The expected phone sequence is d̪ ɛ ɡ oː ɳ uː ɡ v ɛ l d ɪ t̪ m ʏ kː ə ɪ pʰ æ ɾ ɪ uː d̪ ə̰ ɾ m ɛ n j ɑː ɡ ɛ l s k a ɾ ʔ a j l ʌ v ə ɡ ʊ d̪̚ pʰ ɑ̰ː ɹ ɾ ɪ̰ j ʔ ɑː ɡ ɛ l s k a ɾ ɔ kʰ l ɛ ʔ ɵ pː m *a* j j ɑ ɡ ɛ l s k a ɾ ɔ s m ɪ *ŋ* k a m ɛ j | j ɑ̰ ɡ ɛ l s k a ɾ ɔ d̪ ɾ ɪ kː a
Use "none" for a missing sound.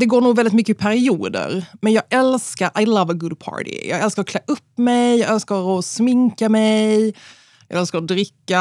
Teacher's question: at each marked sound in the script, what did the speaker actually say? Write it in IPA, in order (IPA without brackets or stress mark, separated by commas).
ɛ, ŋ